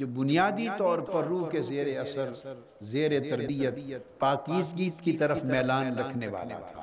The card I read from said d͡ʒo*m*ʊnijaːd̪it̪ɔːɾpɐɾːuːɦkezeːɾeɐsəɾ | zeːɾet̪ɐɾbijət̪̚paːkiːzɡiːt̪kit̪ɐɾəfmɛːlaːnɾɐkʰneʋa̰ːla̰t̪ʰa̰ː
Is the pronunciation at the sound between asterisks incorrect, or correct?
incorrect